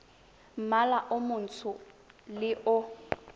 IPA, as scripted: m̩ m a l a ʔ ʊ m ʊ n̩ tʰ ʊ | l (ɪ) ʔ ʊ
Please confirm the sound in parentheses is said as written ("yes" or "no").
yes